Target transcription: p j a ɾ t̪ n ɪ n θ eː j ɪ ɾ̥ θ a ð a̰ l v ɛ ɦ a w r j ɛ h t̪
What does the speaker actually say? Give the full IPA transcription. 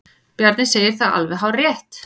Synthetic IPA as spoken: p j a ɾ t̪ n ɪ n s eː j ɪ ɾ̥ θ a ð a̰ l v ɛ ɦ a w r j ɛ h t̪